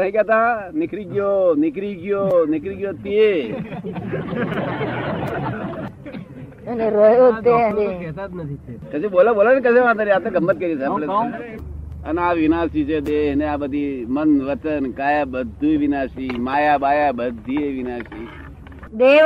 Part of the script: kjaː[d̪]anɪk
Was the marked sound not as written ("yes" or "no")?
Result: yes